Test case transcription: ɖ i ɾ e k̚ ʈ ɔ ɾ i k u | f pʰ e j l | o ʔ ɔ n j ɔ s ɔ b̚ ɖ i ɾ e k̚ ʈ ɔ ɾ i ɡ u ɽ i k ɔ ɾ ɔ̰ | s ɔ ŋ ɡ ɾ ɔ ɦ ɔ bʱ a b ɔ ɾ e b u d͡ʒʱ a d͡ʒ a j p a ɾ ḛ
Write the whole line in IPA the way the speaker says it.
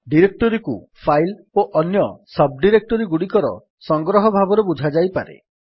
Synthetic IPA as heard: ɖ i ɾ e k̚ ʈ ɔ ɾ i k u | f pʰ a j l | o ʔ ɔ n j ɔ s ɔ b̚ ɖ i ɾ e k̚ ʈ ɔ ɾ i ɡ u ɽ i k ɔ ɾ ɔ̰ | s ɔ ŋ ɡ ɾ ɔ ɦ ɔ bʱ a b ɔ ɾ e b u d͡ʒʱ a d͡ʒ a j p a ɾ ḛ